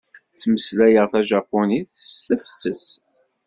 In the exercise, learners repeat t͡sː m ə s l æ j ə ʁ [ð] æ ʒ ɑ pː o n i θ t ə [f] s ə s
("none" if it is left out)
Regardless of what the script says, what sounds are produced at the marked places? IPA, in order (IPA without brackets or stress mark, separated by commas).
θ, f